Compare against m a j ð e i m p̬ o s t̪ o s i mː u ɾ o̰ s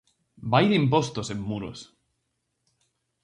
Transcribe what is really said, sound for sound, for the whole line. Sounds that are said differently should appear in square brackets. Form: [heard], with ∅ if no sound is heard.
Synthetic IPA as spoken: [b] a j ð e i m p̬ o s t̪ o s [e] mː u ɾ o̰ s